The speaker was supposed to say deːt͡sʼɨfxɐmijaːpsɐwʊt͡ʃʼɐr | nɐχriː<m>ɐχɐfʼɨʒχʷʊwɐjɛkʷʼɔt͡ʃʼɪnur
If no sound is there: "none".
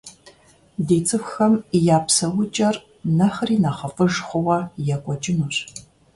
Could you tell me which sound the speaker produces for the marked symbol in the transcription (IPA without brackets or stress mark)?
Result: n